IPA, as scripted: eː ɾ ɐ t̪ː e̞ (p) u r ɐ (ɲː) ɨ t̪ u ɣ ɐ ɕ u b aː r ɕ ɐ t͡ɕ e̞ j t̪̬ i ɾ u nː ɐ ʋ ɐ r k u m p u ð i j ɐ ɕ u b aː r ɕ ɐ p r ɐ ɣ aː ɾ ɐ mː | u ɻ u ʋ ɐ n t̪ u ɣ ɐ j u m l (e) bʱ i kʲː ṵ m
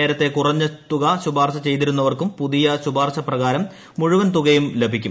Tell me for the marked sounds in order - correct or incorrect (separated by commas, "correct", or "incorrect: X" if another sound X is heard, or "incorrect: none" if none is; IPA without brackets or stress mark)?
incorrect: k, correct, correct